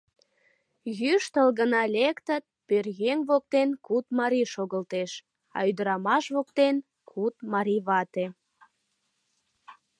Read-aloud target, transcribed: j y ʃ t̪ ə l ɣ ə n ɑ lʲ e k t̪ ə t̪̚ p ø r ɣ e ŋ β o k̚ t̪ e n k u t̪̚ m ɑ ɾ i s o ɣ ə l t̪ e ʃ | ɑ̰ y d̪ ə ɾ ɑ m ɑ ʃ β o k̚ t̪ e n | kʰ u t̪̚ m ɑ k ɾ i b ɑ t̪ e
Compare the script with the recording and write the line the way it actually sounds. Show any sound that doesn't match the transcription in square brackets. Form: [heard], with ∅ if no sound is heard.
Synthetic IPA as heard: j y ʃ t̪ ə l ɣ ə n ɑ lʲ e k t̪ ə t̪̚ p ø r ɣ e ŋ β o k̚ t̪ e n k u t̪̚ m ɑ ɾ i [ʃ] o ɣ ə l t̪ e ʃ | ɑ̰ y d̪ ə ɾ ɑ m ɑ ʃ β o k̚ t̪ e n | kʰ u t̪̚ m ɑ [∅] ɾ i [β] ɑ t̪ e